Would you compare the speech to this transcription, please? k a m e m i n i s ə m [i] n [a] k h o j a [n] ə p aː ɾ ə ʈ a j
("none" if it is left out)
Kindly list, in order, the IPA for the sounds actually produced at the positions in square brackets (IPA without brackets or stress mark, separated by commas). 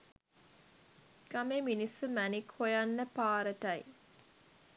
æ, i, nː